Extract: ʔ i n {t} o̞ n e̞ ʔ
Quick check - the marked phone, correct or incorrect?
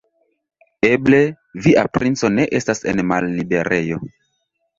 incorrect